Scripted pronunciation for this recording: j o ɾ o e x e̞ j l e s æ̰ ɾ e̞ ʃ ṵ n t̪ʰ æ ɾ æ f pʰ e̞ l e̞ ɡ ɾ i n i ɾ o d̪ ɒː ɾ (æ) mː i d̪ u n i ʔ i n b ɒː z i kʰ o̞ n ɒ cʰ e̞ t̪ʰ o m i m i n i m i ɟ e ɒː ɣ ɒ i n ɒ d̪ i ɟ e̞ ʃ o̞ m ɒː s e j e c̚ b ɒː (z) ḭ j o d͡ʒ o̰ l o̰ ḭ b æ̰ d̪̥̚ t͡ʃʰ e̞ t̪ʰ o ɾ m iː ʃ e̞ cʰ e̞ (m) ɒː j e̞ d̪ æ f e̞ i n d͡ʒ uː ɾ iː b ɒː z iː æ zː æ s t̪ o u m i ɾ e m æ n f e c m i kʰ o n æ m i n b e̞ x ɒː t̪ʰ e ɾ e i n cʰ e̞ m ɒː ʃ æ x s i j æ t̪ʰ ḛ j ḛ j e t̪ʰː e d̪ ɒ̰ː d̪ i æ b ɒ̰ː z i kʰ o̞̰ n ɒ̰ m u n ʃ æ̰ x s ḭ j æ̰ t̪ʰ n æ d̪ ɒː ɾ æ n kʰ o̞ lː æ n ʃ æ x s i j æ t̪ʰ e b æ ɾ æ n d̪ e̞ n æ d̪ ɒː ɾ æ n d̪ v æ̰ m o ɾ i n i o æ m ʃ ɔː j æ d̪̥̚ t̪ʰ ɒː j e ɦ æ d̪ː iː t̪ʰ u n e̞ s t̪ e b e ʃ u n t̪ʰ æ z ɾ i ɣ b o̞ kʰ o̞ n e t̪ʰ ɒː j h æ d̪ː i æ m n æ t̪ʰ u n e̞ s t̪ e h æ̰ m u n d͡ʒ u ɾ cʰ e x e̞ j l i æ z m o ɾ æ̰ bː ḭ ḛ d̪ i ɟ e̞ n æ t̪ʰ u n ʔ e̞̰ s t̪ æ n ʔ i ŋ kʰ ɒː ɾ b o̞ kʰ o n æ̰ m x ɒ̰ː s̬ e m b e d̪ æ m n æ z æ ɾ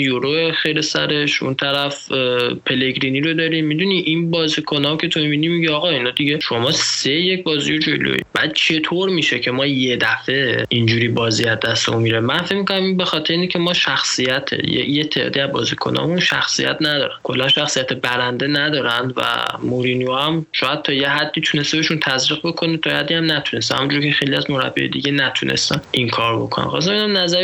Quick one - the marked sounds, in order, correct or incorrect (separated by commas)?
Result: incorrect, correct, correct